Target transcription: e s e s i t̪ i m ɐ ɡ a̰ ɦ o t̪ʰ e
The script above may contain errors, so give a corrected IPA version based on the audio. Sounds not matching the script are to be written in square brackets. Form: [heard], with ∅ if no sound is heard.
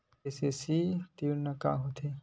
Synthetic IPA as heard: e s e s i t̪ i [n] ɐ [k] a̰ ɦ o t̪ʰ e